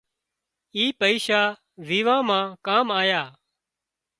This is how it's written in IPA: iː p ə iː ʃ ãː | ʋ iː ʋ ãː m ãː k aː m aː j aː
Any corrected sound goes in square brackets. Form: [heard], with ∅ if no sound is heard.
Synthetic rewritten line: iː p ə iː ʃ [aː] | ʋ iː ʋ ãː m ãː k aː m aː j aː